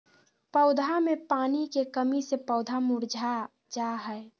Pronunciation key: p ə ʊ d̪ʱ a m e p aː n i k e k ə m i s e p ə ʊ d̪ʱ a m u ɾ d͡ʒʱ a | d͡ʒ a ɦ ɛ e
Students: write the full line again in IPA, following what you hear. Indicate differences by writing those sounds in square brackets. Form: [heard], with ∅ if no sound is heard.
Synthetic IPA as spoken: p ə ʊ d̪ʱ a m e p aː n i k e k ə m i s e p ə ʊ d̪ʱ a m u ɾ d͡ʒʱ a | d͡ʒ a ɦ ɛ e